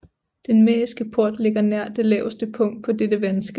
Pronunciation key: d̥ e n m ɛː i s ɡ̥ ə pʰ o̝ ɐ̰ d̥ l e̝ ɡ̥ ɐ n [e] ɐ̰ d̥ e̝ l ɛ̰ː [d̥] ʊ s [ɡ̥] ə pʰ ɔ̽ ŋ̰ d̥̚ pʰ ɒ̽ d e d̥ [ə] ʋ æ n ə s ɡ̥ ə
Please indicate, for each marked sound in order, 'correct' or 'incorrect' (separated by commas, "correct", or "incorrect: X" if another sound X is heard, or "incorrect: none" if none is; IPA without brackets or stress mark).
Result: incorrect: æ, incorrect: none, incorrect: d̥, correct